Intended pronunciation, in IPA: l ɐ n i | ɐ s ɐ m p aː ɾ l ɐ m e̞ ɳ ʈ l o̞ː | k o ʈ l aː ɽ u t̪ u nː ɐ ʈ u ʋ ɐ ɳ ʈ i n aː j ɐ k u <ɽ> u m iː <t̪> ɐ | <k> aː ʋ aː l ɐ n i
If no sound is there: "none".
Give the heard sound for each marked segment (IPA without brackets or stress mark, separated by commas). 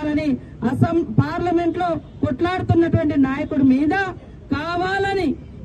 ɽ, d̪, k